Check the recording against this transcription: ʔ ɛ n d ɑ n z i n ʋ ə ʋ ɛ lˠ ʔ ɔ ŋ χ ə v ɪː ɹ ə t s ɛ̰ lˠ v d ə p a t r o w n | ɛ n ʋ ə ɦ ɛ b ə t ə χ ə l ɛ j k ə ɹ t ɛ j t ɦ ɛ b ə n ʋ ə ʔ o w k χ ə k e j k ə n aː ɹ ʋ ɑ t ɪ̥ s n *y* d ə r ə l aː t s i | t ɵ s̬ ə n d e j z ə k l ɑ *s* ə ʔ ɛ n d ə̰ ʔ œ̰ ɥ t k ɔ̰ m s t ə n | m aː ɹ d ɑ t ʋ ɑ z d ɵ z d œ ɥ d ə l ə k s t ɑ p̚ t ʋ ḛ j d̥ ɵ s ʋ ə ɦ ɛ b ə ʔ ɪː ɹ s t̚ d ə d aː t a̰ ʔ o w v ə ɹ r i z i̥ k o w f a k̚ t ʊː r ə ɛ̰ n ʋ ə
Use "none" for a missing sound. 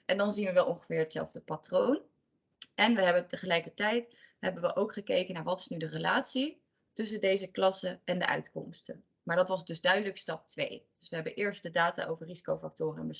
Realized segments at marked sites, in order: y, s

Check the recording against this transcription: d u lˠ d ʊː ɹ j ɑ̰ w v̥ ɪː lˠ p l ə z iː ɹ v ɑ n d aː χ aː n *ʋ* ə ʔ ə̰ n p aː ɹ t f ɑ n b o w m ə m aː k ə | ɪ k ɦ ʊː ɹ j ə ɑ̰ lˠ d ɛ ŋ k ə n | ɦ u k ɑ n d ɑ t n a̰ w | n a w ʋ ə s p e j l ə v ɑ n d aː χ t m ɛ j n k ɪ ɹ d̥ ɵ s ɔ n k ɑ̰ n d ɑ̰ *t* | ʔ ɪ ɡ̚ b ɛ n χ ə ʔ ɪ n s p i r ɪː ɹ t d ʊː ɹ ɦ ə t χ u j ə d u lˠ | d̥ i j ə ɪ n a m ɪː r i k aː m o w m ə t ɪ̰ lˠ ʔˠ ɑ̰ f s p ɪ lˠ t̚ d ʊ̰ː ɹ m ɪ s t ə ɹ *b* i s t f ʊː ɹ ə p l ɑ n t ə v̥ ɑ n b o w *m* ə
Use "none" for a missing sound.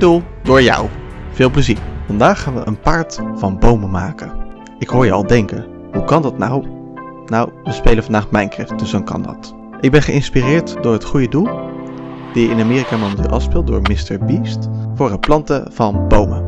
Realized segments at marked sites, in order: ʋ, t, b, m

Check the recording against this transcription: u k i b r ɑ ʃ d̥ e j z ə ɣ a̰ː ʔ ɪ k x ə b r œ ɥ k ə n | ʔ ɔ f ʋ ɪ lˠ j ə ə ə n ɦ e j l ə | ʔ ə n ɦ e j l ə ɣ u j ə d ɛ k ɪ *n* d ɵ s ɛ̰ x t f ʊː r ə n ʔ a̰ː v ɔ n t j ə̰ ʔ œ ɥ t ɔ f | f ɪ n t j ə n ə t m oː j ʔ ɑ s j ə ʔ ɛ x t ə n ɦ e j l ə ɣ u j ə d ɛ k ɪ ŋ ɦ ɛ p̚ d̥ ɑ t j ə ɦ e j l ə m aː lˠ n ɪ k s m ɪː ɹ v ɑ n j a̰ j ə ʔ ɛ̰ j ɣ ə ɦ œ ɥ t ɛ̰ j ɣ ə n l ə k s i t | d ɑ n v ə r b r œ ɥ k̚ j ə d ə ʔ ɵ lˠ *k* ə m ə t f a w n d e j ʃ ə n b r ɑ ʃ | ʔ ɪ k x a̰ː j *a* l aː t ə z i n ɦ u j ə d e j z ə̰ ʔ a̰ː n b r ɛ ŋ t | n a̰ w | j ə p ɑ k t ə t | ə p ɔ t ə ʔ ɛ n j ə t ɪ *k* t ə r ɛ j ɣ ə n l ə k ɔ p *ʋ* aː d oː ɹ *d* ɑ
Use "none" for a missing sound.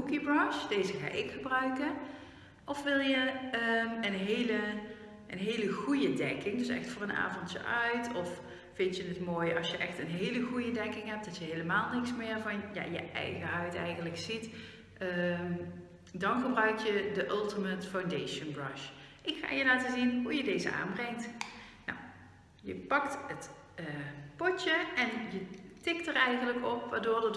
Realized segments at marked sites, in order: ŋ, t, ə, k, ʋ, d

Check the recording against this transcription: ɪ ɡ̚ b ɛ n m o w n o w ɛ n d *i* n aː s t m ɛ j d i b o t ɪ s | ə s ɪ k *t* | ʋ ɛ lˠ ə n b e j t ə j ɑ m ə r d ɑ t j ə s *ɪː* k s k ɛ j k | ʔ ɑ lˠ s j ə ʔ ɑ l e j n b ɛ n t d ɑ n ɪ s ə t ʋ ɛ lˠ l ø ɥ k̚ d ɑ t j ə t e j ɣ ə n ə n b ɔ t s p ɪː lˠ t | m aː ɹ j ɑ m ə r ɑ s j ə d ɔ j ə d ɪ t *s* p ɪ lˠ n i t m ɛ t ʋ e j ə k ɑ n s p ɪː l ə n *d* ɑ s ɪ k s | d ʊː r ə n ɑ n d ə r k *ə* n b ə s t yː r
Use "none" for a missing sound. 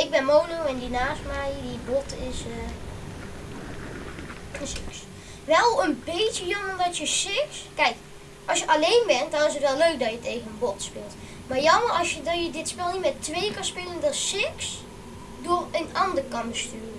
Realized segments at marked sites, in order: i, s, ɪ, s, d, ɑ

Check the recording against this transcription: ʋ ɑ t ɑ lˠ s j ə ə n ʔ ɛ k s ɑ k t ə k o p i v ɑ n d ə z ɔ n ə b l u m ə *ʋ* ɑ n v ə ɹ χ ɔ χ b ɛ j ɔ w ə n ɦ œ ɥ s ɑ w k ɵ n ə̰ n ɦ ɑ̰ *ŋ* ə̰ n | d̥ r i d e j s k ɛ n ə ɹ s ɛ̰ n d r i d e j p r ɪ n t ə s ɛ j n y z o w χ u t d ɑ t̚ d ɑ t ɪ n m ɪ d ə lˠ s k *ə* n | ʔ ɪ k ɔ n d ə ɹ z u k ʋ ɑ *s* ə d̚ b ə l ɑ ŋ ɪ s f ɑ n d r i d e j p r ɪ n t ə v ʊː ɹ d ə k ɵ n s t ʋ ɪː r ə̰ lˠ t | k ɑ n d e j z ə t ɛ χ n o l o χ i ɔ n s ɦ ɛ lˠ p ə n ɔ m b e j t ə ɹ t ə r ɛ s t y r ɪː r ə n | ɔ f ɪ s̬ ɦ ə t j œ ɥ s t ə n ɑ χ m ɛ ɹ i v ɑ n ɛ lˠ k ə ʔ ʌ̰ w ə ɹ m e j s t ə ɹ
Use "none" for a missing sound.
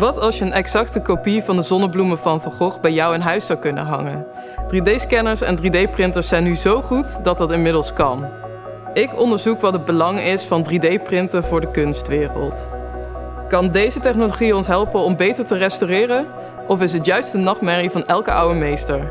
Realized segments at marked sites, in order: v, ŋ, ɑ, t

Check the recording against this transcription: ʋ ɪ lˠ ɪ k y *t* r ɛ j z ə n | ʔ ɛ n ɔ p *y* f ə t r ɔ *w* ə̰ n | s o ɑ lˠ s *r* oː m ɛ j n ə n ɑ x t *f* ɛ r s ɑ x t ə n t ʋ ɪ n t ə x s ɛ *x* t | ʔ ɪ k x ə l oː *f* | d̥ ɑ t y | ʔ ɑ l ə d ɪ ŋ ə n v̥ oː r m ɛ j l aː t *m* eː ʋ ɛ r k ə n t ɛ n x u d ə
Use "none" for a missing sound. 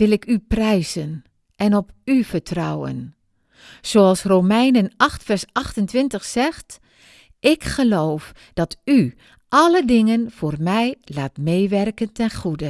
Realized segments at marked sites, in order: p, y, w, r, f, x, f, m

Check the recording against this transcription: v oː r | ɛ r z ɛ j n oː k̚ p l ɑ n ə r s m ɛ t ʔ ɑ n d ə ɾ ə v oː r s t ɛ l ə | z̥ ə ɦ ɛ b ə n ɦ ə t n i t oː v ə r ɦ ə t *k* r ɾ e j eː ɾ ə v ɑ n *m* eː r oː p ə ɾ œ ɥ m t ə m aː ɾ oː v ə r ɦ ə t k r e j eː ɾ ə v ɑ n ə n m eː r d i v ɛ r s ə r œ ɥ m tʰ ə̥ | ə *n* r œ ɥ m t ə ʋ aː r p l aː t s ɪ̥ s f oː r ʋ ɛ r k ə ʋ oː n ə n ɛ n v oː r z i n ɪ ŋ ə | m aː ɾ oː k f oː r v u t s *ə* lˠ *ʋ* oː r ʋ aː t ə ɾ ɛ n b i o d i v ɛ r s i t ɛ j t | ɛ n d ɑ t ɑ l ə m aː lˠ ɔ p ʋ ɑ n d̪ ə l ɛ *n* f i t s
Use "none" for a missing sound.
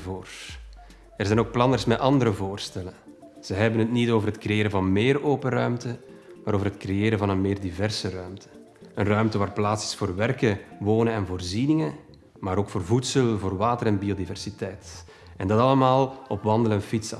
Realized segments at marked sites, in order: k, m, n, ə, v, n

